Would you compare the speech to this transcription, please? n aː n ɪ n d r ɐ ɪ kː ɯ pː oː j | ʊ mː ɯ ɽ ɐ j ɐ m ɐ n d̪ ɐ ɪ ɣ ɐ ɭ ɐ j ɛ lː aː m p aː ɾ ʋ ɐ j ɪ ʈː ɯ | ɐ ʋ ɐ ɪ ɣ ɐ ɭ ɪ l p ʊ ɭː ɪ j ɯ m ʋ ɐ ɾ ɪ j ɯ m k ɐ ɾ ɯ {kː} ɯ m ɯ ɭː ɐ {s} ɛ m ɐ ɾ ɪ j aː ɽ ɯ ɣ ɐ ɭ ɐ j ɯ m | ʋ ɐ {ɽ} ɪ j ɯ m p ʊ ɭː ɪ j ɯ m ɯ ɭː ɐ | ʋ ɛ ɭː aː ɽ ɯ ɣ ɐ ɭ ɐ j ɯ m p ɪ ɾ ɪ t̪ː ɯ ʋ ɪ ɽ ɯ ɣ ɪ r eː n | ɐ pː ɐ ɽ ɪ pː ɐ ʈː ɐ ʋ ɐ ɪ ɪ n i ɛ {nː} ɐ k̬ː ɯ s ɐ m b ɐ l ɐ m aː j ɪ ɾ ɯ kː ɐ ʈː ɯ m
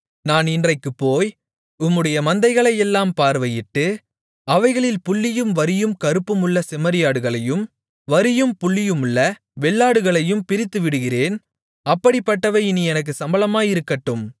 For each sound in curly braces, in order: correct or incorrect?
incorrect: pː, correct, incorrect: ɾ, incorrect: n

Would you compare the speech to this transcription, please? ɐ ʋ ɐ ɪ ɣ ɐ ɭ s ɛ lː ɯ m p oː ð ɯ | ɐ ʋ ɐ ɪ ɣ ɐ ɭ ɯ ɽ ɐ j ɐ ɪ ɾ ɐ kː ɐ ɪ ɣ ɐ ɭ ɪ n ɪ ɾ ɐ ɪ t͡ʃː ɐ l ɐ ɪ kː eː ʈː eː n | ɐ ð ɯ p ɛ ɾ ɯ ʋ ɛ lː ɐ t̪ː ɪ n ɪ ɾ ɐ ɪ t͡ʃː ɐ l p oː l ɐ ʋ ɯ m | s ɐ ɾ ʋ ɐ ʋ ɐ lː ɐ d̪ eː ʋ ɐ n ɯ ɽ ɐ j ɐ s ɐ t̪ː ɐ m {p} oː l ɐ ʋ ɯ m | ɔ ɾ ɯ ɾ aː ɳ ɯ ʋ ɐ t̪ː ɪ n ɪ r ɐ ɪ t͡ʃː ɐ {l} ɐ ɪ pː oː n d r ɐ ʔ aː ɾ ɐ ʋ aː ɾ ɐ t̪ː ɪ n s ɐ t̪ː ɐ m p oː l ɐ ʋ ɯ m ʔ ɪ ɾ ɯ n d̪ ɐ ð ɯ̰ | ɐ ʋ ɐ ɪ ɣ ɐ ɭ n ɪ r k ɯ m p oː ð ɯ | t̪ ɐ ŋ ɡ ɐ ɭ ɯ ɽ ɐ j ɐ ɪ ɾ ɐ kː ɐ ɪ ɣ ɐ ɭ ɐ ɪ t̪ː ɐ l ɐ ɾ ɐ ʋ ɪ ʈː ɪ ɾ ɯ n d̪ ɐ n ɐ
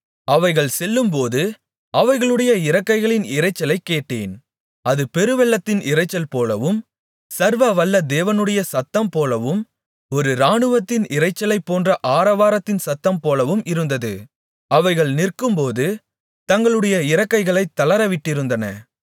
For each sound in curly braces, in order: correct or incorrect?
correct, correct

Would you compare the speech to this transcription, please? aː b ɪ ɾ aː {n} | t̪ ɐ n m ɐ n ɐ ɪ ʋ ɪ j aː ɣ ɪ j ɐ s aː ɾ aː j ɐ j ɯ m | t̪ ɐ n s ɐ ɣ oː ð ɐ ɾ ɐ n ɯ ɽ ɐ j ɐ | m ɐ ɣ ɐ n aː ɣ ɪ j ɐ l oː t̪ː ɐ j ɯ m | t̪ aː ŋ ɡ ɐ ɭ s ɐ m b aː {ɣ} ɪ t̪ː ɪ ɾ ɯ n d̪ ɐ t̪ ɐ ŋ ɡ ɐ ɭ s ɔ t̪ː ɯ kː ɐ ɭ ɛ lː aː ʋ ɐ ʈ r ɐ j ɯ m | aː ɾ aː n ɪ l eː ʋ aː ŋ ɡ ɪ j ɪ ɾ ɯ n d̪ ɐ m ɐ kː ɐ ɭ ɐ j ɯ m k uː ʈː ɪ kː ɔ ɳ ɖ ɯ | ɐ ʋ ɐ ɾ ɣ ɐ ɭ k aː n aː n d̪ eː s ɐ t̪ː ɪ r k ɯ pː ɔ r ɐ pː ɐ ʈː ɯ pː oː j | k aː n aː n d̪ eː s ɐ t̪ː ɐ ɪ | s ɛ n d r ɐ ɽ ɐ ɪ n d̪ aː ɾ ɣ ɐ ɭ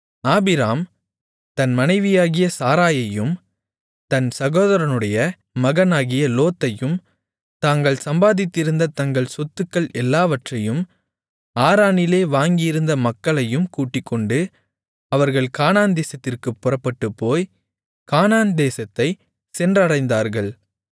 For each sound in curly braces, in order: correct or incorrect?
incorrect: m, incorrect: ð

